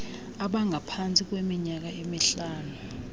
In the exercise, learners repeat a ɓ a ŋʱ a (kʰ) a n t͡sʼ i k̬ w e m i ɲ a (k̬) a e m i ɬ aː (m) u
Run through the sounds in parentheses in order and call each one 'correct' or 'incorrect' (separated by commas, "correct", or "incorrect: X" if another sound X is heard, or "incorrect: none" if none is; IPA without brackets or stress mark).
incorrect: pʰ, correct, incorrect: n